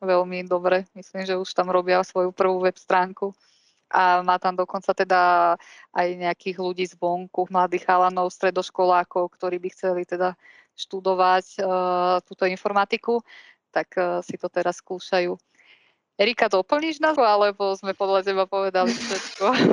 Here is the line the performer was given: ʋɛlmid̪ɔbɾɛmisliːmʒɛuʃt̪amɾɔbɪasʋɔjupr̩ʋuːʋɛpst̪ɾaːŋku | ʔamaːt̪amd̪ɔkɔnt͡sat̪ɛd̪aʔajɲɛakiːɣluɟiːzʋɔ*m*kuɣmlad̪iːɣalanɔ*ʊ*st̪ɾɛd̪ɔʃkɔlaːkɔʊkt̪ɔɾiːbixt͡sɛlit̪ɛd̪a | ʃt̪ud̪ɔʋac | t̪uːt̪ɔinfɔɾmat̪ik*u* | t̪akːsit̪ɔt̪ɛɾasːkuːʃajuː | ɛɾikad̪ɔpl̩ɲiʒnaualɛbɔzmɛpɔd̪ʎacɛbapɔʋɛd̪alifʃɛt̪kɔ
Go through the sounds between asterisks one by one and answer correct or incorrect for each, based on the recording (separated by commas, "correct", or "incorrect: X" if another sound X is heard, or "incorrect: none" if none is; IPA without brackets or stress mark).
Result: incorrect: ŋ, correct, correct